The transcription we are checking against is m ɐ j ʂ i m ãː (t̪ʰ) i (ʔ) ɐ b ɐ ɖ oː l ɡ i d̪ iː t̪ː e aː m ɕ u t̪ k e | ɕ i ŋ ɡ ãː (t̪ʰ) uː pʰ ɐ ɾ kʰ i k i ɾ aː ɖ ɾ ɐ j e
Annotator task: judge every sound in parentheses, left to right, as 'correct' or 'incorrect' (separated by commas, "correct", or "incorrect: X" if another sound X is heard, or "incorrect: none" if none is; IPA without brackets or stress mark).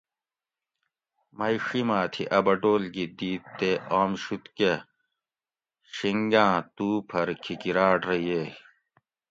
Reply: correct, correct, incorrect: t̪